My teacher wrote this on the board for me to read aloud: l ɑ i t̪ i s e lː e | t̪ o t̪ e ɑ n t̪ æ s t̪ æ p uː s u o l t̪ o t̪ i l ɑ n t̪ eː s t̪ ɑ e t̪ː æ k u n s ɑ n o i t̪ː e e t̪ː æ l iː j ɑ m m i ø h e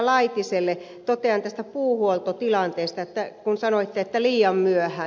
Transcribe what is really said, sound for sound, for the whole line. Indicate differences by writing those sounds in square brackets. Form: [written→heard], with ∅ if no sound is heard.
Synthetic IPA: l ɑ i t̪ i s e lː e | t̪ o t̪ e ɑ n t̪ æ s t̪ æ p uː [s→h] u o l t̪ o t̪ i l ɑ n t̪ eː s t̪ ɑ e t̪ː æ k u n s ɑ n o i t̪ː e e t̪ː æ l iː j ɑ m m [i→y] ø h [e→æ]